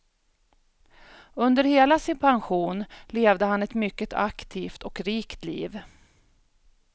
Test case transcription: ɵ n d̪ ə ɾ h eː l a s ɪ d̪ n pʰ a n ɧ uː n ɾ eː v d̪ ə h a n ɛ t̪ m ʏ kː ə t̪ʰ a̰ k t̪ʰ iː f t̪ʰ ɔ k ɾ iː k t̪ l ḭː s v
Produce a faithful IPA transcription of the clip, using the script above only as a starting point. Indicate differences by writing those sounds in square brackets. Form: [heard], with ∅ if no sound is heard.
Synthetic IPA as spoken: ɵ n d̪ ə ɾ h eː l a s ɪ [∅] n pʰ a n ɧ uː n [l] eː v d̪ ə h a n ɛ t̪ m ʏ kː ə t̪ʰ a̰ k t̪ʰ iː f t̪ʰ ɔ k ɾ iː k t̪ l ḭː [∅] v

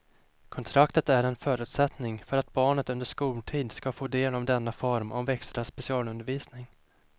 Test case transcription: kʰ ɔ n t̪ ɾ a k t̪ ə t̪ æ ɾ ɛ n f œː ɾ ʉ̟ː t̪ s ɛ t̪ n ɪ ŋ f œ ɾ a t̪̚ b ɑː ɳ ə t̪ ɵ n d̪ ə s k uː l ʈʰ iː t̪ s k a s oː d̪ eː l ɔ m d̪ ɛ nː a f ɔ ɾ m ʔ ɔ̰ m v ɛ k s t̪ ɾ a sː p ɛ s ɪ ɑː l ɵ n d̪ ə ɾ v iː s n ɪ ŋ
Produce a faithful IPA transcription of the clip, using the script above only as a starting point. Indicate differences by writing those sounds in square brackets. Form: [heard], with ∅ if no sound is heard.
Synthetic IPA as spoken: kʰ ɔ n [t̪ʰ] ɾ a k t̪ ə t̪ æ ɾ ɛ n f œː ɾ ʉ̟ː t̪ s ɛ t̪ n ɪ ŋ f œ ɾ a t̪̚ b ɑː ɳ ə t̪ ɵ n d̪ ə [ʂ] k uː l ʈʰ iː [d̪] s k a [f] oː d̪ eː l ɔ m d̪ ɛ nː a f ɔ ɾ m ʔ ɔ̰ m v ɛ k s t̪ ɾ a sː p ɛ s ɪ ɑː l ɵ n d̪ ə ɾ v iː s n ɪ ŋ

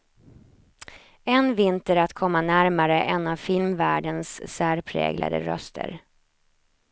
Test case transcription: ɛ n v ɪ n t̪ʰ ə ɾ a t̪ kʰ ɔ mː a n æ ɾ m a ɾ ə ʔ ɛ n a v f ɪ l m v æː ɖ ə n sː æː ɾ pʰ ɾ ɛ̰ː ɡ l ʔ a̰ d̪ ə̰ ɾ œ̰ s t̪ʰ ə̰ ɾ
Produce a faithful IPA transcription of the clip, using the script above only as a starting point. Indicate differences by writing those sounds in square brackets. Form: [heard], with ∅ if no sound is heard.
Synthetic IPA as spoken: ɛ n v ɪ n [t̪] ə ɾ a t̪ kʰ ɔ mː a n æ ɾ m a ɾ ə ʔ ɛ n a v f ɪ l m v æː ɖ ə n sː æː ɾ pʰ ɾ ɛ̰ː ɡ l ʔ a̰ d̪ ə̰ ɾ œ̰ s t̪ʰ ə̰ ɾ

